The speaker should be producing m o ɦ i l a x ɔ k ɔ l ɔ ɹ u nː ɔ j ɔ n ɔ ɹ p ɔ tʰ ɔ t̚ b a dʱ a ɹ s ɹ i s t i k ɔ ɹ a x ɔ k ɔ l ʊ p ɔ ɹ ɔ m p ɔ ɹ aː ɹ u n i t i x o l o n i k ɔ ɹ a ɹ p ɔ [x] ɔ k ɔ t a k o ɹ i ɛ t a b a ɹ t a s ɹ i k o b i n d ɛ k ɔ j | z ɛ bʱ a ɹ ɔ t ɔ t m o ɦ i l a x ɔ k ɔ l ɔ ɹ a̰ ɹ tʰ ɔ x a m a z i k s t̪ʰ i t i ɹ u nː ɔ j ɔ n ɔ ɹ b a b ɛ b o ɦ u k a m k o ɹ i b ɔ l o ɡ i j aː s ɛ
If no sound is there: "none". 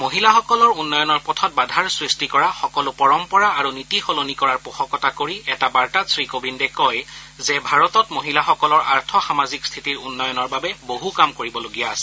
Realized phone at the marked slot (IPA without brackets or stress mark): x